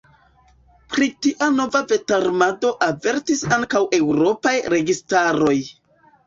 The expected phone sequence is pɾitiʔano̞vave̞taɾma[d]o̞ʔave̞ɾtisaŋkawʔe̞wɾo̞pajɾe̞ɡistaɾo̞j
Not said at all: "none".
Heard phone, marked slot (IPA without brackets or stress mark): d